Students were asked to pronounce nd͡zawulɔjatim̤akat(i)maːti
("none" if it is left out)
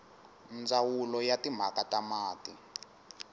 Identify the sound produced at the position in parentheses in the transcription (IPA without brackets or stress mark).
a